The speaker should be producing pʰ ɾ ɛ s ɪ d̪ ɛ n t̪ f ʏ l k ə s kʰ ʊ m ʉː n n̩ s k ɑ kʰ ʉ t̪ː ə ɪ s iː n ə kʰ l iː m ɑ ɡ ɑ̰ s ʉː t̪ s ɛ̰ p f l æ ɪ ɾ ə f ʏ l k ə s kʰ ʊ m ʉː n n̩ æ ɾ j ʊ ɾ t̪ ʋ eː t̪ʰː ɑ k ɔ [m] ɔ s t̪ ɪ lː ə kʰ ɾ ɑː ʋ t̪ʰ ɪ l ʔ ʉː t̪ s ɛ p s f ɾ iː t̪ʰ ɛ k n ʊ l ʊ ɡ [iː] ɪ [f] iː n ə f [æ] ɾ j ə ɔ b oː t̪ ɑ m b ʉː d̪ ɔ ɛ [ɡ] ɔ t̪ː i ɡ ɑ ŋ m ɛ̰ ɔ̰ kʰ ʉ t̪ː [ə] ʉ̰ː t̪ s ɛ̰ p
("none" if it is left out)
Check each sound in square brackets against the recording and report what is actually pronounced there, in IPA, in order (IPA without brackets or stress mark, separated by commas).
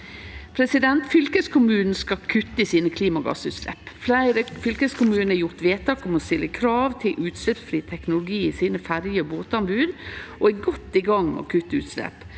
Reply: m, iː, s, æ, ɡ, ə